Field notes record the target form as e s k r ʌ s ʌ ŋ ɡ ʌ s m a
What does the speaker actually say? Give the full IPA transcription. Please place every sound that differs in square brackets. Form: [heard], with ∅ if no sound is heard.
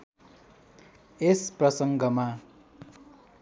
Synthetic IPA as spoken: e s [p] r ʌ s ʌ ŋ ɡ ʌ [∅] m a